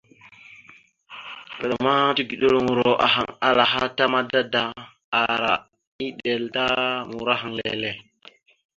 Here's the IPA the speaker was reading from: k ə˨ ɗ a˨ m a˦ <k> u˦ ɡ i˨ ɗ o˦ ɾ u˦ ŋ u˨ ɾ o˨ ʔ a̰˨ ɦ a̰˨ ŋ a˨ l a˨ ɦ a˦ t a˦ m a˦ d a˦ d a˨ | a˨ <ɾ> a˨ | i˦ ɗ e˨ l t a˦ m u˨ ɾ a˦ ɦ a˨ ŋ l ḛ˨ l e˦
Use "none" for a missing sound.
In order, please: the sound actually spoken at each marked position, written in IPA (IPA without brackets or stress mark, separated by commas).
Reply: t, ɾ